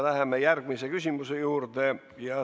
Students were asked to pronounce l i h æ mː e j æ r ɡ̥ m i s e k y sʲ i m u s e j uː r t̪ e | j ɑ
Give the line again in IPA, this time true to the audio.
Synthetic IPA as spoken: l æ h e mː e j æ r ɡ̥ m i s e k y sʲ i m u s e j uː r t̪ e | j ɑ